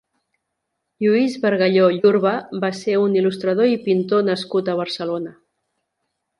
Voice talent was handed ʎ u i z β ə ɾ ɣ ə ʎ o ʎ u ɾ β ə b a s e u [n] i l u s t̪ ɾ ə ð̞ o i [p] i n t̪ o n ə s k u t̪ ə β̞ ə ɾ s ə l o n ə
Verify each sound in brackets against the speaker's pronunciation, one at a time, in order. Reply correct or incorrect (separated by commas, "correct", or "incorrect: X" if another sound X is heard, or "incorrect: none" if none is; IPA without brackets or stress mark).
correct, correct